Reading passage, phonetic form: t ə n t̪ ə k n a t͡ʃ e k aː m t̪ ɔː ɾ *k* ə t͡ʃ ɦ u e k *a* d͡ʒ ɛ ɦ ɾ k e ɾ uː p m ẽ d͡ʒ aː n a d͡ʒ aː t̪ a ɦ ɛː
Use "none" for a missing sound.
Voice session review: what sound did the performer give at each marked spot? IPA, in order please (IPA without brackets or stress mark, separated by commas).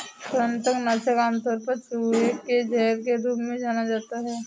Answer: p, e